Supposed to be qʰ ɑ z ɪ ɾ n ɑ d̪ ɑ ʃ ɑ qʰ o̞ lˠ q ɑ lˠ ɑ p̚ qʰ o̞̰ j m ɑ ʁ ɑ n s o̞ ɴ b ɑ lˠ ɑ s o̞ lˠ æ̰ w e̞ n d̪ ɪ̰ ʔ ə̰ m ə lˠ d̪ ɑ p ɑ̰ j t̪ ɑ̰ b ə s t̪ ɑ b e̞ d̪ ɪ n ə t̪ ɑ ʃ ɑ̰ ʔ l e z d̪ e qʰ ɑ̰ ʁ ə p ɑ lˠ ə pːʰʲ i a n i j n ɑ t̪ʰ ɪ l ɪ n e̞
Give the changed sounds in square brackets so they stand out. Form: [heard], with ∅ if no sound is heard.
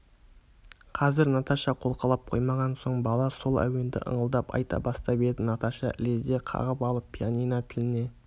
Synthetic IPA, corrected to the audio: qʰ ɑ z ɪ ɾ n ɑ [t̪] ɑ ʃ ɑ qʰ o̞ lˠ q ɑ lˠ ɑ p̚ qʰ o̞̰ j m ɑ ʁ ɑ n s o̞ ɴ b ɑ lˠ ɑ s o̞ lˠ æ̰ w e̞ n d̪ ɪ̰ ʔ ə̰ [ɴ] ə lˠ d̪ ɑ p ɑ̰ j t̪ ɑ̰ b [ɑ] s t̪ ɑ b e̞ d̪ ɪ n [ɑ] t̪ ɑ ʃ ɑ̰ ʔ l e z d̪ e qʰ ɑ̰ ʁ ə p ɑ lˠ ə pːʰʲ i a n i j n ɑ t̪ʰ ɪ l ɪ n e̞